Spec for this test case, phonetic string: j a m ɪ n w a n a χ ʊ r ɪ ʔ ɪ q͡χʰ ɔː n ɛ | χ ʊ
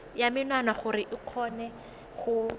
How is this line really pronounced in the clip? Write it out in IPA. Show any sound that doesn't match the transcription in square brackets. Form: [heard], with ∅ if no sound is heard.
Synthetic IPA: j a m ɪ n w a n a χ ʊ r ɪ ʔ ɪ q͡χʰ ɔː n ɛ | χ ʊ

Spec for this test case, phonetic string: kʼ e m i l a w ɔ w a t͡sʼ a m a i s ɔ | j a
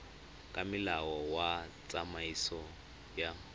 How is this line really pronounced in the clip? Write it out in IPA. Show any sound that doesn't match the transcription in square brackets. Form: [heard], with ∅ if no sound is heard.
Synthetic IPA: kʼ [a] m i l a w ɔ w a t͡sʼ a m a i s ɔ | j a

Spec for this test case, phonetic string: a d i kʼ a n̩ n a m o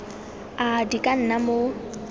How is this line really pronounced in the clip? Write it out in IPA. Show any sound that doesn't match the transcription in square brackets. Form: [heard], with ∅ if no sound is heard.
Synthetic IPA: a d i kʼ a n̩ n a m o

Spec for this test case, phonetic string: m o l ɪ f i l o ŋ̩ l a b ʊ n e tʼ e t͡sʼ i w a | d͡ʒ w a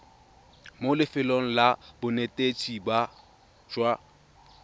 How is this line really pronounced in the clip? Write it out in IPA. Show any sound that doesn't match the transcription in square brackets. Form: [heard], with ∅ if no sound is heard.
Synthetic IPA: m o l ɪ f [ɪ] l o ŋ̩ l a b ʊ n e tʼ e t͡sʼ i [b] a | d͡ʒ w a

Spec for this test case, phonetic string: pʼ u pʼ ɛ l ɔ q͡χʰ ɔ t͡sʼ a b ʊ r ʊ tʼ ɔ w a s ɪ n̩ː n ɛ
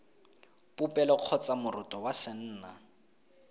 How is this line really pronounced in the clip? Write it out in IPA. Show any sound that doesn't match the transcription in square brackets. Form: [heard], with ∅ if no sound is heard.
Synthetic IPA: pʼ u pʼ ɛ l ɔ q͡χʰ ɔ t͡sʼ a [m] ʊ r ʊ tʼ ɔ w a s ɪ n̩ː n [a]

